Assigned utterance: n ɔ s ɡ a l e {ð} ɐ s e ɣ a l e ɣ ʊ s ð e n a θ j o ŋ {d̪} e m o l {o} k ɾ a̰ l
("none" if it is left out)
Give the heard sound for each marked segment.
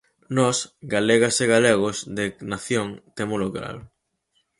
ɣ, t̪, o

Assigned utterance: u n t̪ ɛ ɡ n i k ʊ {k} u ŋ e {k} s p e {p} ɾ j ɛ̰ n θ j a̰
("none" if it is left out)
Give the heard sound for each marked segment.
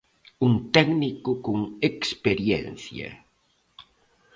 k, k, none

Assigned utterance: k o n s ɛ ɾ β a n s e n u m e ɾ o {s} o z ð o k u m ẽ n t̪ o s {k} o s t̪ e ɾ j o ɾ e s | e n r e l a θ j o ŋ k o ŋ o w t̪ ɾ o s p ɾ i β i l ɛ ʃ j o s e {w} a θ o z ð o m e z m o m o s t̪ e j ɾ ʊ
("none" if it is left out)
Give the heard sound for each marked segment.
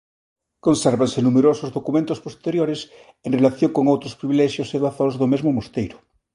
s, p, β

